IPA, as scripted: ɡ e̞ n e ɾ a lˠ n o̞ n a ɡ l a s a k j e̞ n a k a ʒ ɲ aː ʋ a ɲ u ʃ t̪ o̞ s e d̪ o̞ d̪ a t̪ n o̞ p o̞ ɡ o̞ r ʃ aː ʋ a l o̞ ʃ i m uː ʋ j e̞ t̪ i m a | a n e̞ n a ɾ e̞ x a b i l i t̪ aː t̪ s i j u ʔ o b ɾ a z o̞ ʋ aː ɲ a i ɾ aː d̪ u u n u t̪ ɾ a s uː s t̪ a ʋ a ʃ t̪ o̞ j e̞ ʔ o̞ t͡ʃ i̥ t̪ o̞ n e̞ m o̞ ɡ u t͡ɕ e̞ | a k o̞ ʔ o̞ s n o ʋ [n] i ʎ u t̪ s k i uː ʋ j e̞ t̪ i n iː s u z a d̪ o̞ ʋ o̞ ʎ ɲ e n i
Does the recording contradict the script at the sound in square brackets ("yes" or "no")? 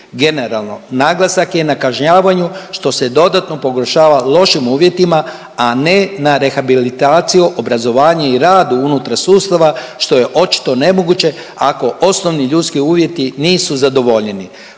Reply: no